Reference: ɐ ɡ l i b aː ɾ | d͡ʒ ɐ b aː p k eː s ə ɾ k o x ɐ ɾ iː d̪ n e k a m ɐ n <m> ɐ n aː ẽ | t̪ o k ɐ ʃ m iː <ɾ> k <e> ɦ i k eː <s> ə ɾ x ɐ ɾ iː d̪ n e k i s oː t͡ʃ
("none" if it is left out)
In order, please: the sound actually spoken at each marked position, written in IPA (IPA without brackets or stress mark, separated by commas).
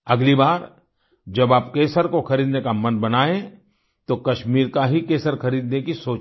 b, ɾ, a, s